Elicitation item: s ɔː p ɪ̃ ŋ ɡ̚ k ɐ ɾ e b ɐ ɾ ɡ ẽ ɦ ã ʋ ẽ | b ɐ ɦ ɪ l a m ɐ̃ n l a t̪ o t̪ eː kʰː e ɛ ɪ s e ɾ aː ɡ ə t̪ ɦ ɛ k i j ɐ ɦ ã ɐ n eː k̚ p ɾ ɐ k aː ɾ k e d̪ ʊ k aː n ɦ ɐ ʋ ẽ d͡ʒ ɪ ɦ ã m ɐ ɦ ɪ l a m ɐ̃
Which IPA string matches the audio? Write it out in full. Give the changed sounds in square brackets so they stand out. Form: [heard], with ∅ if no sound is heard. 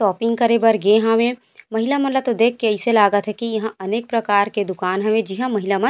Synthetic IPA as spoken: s ɔː p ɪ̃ ŋ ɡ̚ k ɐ ɾ e b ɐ ɾ ɡ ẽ ɦ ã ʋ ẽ | [m] ɐ ɦ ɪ l a m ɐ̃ n l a t̪ o [d̪] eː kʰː e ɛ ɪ s e [l] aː ɡ ə t̪ ɦ ɛ k i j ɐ ɦ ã ɐ n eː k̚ p ɾ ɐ k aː ɾ k e d̪ ʊ k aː n ɦ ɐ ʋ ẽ d͡ʒ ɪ ɦ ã m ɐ ɦ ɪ l a m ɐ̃